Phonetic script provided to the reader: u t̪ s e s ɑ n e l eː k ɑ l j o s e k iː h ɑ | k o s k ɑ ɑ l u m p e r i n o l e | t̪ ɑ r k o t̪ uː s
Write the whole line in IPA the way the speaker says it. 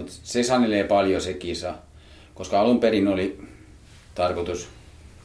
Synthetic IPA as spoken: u t̪ s e s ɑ n e l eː p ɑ l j o s e k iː s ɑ | k o s k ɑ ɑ l u m p e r i n o l i | t̪ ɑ r k o t̪ u s